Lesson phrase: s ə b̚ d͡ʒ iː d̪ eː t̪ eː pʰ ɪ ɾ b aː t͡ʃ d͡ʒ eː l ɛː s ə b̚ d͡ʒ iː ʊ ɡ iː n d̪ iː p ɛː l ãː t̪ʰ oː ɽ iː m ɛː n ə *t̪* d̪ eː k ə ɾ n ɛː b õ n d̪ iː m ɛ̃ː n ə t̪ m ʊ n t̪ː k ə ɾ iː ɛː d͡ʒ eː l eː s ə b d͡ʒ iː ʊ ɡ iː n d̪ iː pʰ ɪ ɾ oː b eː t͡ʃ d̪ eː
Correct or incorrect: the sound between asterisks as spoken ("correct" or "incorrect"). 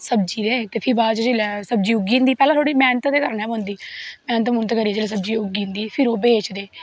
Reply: correct